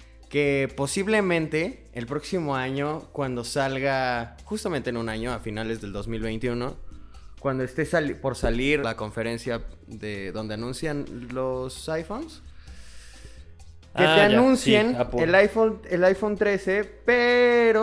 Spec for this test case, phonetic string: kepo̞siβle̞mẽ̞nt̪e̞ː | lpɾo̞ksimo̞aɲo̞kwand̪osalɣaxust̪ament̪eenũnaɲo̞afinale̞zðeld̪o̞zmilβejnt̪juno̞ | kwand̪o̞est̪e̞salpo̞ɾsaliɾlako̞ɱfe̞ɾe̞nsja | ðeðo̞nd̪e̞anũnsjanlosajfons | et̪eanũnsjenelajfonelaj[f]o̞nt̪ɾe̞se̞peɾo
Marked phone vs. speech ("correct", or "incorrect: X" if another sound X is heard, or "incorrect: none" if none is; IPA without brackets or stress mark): correct